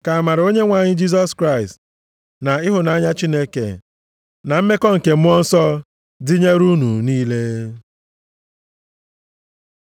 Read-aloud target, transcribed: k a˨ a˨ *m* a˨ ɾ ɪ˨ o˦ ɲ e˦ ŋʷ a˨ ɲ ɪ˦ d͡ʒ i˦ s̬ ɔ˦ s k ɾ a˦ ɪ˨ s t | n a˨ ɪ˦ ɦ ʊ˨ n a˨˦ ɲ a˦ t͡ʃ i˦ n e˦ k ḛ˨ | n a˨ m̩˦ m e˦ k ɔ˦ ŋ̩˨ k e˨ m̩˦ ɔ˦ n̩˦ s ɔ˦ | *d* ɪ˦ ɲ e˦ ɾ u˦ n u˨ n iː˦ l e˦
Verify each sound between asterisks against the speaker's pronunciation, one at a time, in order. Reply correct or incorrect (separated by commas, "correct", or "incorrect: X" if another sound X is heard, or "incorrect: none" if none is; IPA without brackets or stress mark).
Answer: correct, correct